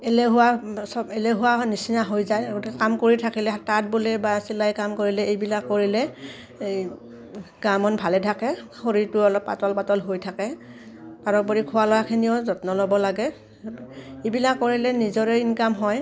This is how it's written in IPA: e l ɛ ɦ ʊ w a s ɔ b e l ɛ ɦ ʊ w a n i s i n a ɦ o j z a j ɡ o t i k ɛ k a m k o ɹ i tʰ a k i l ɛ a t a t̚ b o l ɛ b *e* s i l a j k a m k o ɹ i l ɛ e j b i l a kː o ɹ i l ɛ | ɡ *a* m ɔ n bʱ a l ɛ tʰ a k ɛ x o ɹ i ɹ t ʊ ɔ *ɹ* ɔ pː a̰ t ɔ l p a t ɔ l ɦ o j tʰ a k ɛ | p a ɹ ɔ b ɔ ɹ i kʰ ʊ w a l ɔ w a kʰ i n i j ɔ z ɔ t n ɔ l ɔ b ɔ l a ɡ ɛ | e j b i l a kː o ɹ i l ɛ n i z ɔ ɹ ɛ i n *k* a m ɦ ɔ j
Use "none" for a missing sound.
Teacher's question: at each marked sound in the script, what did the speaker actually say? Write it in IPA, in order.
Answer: a, a, l, k

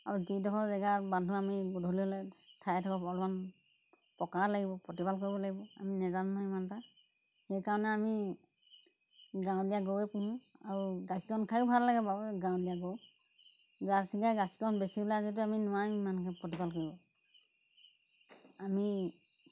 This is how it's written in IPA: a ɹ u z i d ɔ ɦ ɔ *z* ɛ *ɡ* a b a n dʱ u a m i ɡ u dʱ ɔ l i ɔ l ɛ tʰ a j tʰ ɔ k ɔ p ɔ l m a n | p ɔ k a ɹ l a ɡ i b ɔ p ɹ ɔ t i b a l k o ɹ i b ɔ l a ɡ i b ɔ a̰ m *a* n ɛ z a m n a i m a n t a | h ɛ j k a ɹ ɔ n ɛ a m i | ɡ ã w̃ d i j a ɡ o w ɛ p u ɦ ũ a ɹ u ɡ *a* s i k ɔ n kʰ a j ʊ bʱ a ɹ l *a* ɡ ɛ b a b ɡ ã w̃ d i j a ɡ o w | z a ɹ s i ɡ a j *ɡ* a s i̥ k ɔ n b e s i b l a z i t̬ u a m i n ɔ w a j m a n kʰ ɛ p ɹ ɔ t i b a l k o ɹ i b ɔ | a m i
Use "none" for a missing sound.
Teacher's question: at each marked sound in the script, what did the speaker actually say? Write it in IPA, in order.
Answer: z, ɡ, i, a, a, ɡ

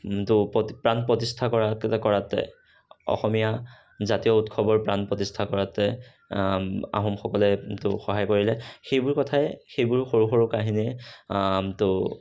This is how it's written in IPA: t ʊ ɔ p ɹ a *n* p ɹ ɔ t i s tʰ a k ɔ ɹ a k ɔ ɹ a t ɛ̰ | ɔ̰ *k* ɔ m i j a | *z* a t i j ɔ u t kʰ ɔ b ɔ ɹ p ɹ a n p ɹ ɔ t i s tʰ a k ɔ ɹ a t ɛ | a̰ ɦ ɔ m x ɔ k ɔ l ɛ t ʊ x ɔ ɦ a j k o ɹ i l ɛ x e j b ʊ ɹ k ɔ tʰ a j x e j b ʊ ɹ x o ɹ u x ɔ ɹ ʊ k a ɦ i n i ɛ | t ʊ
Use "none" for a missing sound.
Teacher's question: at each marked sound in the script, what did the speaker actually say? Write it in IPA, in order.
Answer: n, x, z

